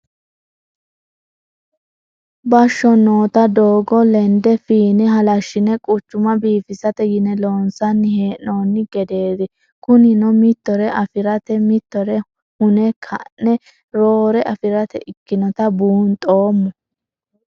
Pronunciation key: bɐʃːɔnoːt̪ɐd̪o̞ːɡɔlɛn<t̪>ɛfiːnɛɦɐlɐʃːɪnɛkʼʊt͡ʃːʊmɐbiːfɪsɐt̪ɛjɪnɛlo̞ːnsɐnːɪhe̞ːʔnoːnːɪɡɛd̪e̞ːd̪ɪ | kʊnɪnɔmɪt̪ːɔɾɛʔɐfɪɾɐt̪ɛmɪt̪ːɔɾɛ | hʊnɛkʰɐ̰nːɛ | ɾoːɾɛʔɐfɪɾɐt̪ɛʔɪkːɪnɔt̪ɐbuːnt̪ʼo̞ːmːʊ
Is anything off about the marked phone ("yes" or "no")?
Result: yes